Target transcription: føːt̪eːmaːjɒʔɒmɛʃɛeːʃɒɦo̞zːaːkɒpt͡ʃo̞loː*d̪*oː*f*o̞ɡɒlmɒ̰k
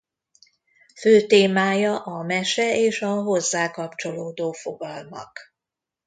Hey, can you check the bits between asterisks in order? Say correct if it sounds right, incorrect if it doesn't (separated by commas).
correct, correct